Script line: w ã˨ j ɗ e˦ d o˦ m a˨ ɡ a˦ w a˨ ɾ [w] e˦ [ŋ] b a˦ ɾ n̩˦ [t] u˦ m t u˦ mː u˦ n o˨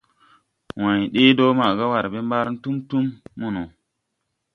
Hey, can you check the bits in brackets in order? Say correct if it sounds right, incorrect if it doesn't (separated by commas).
incorrect, incorrect, correct